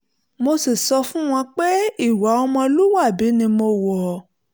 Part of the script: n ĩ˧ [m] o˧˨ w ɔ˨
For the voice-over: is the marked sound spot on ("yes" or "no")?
yes